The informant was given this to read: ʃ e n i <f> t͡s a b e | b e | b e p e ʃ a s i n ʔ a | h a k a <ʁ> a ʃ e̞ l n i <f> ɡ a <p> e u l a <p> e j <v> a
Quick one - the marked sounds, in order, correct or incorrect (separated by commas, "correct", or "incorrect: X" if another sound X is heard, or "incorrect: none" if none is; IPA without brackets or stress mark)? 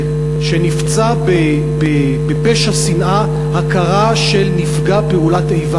correct, correct, correct, correct, incorrect: t, correct